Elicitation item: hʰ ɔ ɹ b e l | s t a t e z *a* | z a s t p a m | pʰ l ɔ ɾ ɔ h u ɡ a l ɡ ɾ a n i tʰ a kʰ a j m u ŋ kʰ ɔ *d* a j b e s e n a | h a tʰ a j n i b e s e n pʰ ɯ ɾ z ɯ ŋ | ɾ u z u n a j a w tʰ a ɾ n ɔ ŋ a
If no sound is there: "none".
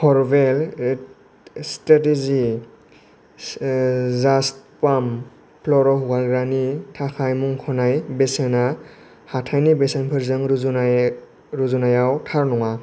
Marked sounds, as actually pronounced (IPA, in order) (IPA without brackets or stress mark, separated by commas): i, n